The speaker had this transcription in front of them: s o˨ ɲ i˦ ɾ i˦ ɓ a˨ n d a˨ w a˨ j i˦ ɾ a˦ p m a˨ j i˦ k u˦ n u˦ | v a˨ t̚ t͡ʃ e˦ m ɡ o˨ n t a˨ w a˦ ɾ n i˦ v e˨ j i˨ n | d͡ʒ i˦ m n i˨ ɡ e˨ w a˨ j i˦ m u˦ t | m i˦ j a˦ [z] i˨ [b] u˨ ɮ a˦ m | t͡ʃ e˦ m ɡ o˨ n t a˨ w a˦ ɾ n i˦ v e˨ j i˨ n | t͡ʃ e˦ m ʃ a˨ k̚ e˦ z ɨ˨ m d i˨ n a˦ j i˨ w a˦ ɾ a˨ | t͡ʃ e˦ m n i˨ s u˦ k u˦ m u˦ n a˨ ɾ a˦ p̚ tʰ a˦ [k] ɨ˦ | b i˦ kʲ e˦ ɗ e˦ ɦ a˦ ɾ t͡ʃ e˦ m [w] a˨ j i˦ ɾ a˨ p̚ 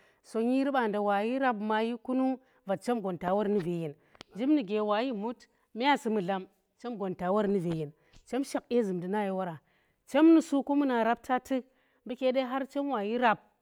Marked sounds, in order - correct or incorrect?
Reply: incorrect: s, incorrect: m, incorrect: t, correct

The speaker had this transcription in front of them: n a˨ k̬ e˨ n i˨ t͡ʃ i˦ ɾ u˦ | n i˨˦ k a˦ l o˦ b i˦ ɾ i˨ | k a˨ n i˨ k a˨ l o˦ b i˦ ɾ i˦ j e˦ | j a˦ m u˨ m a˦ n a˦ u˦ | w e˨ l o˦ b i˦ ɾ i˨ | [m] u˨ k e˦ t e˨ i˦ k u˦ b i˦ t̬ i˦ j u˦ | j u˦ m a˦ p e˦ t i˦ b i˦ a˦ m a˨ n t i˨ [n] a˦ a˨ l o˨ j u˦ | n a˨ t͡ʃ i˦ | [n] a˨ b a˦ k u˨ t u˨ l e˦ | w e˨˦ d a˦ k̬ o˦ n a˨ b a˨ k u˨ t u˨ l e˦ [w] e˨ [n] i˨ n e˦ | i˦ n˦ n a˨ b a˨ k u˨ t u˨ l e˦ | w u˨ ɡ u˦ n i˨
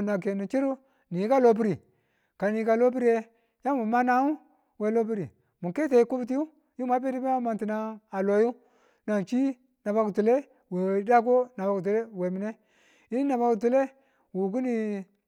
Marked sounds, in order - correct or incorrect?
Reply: correct, correct, correct, correct, incorrect: m

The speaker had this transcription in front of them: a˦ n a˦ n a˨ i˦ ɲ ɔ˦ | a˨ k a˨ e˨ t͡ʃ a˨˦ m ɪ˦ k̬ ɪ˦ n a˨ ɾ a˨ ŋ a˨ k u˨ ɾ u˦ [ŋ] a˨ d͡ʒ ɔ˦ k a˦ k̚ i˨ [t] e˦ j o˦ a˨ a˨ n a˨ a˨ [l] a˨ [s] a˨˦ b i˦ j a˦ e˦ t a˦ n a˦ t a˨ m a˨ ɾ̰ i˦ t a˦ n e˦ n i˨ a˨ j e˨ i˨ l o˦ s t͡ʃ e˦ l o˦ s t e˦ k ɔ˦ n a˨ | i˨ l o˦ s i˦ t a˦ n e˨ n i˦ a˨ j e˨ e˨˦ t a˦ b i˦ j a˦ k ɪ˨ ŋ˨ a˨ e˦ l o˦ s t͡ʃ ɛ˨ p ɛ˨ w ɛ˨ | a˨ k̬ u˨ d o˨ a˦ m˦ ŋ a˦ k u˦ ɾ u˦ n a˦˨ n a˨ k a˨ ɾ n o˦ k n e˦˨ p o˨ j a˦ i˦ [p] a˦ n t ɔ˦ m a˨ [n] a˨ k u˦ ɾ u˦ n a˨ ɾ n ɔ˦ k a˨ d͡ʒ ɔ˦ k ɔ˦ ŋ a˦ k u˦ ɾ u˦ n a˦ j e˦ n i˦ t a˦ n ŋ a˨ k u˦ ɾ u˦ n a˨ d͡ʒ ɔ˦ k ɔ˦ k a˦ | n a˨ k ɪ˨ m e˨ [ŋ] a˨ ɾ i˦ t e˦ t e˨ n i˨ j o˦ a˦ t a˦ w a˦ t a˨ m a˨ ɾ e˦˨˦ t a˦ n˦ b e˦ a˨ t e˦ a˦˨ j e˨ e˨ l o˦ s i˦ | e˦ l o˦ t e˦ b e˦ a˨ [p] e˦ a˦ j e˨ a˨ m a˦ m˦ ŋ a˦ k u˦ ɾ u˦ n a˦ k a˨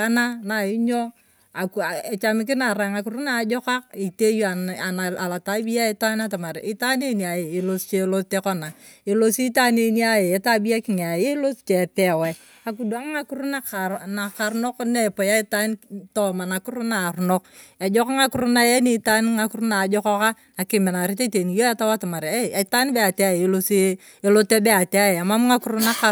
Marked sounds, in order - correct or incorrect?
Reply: incorrect: n, correct, correct, incorrect: t, incorrect: t, correct, incorrect: n, incorrect: t

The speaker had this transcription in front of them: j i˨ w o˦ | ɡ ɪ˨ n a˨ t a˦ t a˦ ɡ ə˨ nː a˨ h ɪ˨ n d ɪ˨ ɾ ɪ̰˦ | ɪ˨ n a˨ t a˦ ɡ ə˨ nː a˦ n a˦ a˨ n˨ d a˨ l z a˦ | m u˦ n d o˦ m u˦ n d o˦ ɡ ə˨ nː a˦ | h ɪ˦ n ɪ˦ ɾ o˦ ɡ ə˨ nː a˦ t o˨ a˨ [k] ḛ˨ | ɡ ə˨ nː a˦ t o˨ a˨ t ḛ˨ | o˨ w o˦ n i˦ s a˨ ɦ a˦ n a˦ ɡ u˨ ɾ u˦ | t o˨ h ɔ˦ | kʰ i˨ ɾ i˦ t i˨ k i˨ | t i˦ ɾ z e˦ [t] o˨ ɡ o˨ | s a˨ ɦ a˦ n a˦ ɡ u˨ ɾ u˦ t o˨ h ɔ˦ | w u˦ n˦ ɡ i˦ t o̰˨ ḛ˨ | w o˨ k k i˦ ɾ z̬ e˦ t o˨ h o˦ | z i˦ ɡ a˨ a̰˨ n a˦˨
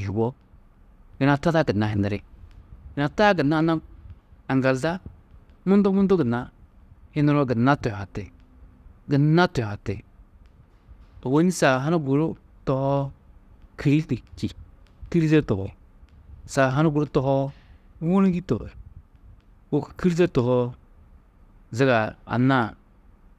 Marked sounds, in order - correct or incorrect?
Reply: incorrect: t, correct

